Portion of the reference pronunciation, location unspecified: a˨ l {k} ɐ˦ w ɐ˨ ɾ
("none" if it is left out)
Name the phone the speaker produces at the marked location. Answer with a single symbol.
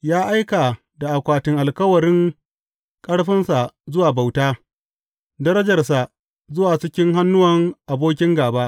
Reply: k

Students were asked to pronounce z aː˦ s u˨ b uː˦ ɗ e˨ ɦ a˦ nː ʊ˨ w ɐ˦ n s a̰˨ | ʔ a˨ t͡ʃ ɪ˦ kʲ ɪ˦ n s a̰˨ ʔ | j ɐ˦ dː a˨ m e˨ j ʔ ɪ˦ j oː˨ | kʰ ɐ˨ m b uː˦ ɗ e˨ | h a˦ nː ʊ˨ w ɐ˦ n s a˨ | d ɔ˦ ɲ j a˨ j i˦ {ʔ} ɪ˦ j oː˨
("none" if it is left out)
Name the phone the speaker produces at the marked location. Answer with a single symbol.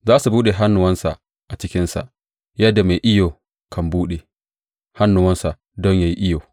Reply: ʔ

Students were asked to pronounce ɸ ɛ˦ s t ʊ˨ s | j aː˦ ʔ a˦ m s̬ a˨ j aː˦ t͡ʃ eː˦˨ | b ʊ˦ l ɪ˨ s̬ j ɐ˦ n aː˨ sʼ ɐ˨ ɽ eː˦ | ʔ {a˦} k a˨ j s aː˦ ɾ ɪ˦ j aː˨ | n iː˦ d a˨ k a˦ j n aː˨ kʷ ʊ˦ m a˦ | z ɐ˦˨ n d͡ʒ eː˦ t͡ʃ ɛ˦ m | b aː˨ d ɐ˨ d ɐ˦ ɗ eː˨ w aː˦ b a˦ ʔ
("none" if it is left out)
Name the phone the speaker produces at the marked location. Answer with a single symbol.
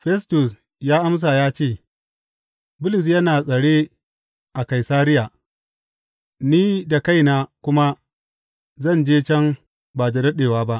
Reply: a˨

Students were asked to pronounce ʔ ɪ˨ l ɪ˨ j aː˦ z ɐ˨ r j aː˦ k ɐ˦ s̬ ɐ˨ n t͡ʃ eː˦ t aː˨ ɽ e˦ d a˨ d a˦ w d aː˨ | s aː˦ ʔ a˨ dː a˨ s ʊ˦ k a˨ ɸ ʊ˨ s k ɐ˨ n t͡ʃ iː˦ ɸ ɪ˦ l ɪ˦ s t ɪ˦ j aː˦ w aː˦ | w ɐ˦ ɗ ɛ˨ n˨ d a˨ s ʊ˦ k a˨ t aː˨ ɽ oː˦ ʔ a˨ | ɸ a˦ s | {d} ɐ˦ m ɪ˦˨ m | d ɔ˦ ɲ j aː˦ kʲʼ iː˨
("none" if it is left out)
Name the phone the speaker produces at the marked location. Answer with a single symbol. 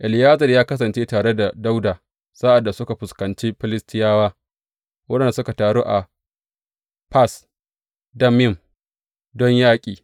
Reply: d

